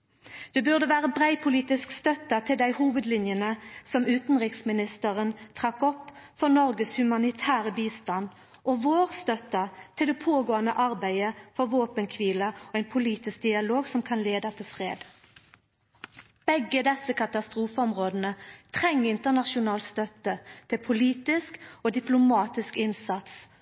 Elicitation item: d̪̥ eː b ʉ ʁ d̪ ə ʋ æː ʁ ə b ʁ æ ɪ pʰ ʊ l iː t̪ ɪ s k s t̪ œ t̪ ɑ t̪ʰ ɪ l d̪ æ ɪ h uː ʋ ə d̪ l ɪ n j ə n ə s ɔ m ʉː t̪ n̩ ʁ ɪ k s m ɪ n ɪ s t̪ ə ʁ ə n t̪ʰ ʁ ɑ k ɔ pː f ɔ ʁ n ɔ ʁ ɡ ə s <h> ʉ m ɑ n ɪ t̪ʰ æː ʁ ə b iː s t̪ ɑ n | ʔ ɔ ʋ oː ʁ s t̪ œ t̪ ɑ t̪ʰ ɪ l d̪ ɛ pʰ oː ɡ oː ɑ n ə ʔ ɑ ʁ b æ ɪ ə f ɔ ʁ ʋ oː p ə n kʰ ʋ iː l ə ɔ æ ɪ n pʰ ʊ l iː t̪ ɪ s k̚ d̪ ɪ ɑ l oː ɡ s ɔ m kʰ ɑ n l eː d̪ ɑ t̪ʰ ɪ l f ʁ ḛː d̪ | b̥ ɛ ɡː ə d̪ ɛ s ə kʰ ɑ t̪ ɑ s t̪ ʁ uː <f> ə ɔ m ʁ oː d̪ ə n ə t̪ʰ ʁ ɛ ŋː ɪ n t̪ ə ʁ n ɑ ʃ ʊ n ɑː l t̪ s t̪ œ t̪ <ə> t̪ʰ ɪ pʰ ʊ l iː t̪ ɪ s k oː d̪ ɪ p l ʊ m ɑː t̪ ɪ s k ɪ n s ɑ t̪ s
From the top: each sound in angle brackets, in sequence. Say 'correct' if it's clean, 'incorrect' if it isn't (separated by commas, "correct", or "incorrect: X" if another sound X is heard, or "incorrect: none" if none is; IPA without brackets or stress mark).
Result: correct, correct, correct